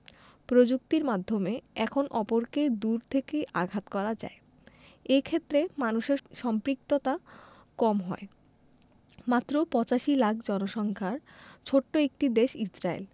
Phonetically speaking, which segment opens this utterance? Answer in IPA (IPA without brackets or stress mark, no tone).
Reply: p